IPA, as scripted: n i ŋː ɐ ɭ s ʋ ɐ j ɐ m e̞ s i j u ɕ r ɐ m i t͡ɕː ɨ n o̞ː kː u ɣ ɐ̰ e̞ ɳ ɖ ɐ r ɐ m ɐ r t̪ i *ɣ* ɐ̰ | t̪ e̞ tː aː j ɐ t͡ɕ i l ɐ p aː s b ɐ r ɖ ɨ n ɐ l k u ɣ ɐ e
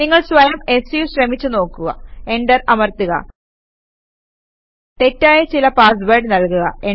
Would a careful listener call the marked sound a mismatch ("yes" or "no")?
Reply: no